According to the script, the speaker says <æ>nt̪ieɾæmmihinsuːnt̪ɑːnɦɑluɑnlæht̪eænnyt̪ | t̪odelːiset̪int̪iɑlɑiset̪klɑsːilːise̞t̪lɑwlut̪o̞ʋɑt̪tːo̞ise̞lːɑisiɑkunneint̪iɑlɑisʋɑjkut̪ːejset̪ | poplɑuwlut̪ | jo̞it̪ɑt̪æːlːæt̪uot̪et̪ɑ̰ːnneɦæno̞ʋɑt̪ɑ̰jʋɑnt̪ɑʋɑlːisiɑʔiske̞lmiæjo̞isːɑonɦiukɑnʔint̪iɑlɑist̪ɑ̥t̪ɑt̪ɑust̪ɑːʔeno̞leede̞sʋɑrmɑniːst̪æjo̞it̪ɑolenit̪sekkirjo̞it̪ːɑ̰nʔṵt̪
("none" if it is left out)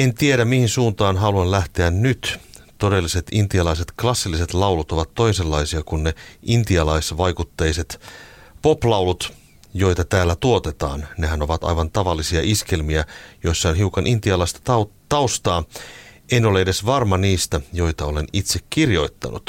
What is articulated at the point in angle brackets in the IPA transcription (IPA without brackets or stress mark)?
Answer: e